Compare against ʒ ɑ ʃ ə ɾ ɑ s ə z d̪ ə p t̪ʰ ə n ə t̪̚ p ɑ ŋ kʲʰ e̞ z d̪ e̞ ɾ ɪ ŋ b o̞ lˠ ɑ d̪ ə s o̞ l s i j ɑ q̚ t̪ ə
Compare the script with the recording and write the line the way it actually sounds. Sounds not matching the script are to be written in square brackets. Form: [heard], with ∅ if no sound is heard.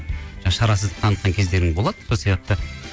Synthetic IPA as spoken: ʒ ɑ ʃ [ɑ] ɾ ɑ s ə z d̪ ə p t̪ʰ [ɑ] n ə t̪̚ [q] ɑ ŋ kʲʰ e̞ z d̪ e̞ ɾ ɪ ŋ b o̞ lˠ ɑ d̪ ə s o̞ l s i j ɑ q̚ t̪ ə